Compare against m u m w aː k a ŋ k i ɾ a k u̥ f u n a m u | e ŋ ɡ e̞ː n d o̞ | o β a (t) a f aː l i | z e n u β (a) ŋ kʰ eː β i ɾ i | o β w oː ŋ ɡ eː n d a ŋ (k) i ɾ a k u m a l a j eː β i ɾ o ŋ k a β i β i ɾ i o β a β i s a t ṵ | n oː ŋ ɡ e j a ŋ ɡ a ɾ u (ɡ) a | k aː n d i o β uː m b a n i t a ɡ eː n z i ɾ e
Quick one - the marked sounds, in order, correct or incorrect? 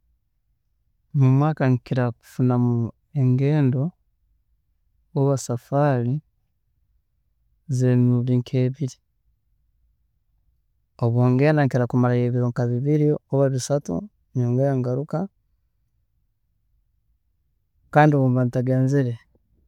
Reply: incorrect: s, incorrect: i, correct, incorrect: k

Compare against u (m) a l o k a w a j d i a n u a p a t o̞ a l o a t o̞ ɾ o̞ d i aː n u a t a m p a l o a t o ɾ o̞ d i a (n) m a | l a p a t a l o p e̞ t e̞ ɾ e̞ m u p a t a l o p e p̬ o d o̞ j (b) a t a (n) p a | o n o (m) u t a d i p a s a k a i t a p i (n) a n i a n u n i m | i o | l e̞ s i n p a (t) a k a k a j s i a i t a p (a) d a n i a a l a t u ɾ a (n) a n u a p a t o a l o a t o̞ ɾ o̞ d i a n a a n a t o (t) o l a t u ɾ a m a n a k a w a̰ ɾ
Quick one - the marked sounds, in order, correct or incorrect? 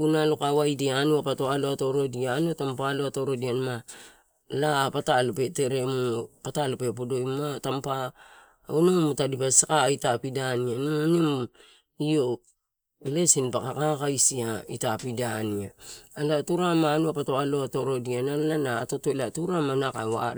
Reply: incorrect: n, correct, incorrect: m, incorrect: m, correct, incorrect: d, incorrect: k, incorrect: i, incorrect: m, correct

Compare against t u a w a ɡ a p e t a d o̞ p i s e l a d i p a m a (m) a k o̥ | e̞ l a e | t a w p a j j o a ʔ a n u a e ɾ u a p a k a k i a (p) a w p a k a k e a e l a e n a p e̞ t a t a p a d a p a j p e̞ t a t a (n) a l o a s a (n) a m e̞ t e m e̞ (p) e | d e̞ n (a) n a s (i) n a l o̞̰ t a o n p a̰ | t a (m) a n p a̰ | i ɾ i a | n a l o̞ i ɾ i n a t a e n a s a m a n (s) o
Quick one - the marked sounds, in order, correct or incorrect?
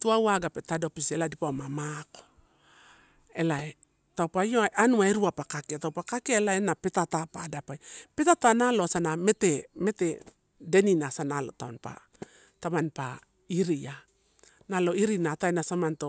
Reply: correct, incorrect: t, correct, correct, incorrect: t, incorrect: i, incorrect: a, correct, incorrect: t

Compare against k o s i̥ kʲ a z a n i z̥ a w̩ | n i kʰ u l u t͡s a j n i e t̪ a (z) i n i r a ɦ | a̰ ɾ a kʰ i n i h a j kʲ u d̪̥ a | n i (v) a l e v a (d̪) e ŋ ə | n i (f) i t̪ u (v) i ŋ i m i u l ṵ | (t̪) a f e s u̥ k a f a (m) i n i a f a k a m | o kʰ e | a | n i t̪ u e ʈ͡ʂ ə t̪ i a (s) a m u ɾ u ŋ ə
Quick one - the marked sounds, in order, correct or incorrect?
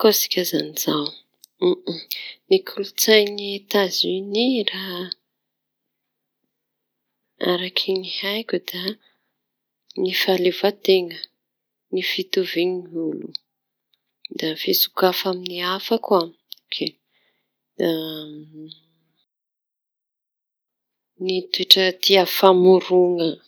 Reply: correct, incorrect: f, incorrect: t̪, correct, correct, incorrect: d̪, correct, incorrect: f

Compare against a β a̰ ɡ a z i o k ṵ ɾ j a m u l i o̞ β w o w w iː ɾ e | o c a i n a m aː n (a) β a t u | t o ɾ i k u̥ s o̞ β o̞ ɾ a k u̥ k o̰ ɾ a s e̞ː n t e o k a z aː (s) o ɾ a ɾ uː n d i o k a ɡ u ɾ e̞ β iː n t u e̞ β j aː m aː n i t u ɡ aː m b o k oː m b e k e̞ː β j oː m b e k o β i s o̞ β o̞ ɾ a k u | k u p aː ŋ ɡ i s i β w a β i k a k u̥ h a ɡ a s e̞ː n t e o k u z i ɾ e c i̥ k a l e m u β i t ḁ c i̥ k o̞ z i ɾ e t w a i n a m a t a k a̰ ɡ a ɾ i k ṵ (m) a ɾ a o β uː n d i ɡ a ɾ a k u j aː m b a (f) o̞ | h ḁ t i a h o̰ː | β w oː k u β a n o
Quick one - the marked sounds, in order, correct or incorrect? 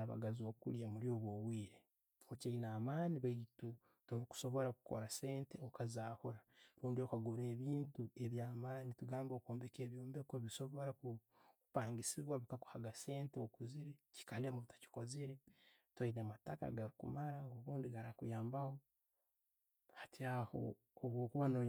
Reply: incorrect: i, incorrect: h, correct, incorrect: h

